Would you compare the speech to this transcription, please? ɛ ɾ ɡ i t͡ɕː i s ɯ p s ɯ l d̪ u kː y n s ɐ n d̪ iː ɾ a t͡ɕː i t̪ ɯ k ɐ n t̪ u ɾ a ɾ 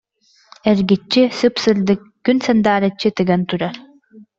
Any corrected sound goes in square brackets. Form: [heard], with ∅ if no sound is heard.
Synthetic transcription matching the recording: ɛ ɾ ɡ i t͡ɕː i s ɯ p s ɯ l d̪ [ɯ] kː y n s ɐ n d̪ [aː] ɾ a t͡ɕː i t̪ ɯ [ɡ] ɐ n t̪ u ɾ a ɾ